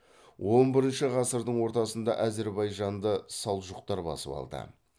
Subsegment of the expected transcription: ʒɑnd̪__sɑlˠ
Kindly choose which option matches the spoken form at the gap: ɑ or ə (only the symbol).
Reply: ə